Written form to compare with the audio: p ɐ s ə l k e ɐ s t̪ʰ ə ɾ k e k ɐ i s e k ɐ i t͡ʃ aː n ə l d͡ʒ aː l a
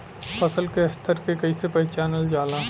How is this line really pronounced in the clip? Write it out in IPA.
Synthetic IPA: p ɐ s ə l k e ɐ s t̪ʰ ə ɾ k e k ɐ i s e p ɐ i t͡ʃ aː n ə l d͡ʒ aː l a